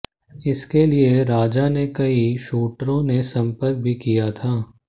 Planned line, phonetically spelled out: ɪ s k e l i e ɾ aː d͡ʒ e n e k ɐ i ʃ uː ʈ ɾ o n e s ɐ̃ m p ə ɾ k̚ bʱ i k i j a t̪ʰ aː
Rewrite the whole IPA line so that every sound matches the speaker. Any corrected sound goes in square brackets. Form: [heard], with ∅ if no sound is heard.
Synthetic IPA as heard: ɪ s k e l i e ɾ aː d͡ʒ [a] n e k ɐ i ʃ uː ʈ ɾ [õ] n e s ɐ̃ m p ə ɾ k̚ bʱ i k i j a t̪ʰ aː